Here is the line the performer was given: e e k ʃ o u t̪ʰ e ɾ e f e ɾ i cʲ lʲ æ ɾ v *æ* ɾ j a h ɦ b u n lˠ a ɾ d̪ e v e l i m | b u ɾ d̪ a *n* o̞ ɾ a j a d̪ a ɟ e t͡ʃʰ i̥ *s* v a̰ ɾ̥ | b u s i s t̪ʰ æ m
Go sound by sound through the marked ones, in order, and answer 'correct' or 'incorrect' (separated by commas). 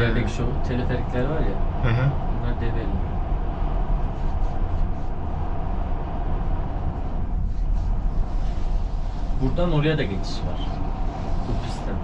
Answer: incorrect, correct, incorrect